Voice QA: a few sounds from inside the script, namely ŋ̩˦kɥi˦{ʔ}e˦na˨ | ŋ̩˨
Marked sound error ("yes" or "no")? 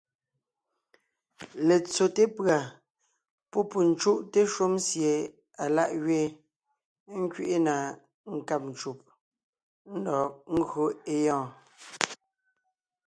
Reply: no